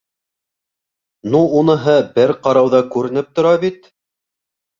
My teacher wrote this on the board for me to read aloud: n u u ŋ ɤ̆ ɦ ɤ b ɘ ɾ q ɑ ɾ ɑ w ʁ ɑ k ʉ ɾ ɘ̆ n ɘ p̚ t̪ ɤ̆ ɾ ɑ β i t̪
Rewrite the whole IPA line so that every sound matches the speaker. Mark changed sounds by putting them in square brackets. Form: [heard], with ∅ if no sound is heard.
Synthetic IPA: n u u [n] ɤ̆ ɦ ɤ b ɘ ɾ q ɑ ɾ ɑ w [ð] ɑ k ʉ ɾ ɘ̆ n ɘ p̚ t̪ [ŏ] ɾ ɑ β i t̪